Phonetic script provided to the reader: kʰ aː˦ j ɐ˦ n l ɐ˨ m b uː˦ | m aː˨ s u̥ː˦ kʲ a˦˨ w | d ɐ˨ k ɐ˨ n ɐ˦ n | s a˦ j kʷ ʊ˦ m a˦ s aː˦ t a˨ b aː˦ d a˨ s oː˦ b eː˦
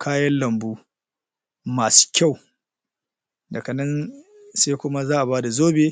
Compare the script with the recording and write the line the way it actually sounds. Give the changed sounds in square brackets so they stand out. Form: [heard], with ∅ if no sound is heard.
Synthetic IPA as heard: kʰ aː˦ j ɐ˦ n l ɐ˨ m b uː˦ | m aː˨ s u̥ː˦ kʲ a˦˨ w | d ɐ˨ k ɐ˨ n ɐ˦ n | s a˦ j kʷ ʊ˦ m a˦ [z] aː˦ [ʔ] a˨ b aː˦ d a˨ [z] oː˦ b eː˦